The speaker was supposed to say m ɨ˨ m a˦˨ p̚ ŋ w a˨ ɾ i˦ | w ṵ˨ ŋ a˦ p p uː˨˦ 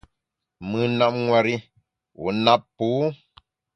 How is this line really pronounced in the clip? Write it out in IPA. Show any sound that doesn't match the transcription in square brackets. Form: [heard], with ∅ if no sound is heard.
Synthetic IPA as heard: m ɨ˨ [n] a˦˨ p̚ ŋ w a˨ ɾ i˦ | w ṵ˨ [n] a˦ p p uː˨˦